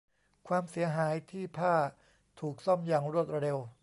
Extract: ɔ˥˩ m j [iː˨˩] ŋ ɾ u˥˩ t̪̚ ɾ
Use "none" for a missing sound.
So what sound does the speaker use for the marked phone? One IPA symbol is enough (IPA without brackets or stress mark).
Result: aː˨˩